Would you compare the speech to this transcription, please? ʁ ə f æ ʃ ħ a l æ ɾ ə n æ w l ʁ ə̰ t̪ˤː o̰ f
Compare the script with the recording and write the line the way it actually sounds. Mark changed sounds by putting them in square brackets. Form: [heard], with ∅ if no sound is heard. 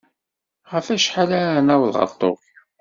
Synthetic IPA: ʁ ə f æ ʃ ħ a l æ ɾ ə n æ w l ʁ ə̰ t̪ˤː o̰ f

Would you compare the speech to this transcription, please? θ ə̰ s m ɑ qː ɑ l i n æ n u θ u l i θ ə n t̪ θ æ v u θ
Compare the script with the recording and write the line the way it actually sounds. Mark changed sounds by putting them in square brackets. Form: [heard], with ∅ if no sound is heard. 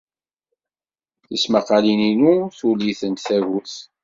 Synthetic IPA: θ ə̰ s m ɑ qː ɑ l i n [i] n u θ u l i θ ə n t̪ θ æ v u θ

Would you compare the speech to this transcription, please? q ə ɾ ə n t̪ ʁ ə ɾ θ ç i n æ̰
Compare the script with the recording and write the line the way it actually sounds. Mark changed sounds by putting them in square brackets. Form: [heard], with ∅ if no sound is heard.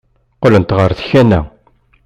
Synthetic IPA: q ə [l] ə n t̪ ʁ ə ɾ θ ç [æ] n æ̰

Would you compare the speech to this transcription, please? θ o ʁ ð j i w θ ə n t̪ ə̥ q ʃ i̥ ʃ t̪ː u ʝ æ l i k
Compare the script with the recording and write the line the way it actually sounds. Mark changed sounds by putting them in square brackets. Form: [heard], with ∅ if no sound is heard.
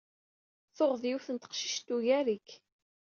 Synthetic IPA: θ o ʁ ð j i w θ ə n t̪ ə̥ q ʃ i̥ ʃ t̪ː u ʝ æ [ɾ] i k

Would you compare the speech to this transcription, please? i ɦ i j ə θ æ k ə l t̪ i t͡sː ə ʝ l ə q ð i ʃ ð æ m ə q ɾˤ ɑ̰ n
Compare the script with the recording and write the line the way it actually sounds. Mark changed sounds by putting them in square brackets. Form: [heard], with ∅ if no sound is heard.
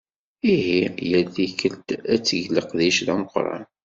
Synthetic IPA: i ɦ i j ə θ [i] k ə l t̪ [æ] t͡sː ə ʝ l ə q ð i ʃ ð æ m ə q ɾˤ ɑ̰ n

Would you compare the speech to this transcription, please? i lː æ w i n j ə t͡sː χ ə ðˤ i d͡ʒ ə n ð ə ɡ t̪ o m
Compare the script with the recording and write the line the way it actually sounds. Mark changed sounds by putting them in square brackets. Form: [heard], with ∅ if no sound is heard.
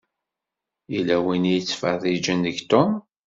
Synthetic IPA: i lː æ w i n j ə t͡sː [f] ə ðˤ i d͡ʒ ə n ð ə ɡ t̪ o m

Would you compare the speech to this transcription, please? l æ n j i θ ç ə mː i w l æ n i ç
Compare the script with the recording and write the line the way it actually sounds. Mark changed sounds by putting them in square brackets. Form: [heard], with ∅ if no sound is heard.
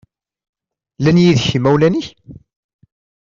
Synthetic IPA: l æ n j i [ð] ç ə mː [æ] w l æ n i ç

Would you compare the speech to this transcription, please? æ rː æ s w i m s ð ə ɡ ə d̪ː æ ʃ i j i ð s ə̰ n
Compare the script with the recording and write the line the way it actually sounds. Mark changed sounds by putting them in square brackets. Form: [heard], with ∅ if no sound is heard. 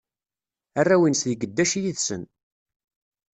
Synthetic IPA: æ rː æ [∅] w i [n] s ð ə ɡ ə d̪ː æ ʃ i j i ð s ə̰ n

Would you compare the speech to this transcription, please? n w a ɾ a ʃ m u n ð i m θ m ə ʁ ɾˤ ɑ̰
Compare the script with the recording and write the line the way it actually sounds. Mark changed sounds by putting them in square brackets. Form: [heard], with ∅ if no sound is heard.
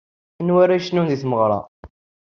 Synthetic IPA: n w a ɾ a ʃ [n] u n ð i [∅] θ m ə ʁ ɾˤ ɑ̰

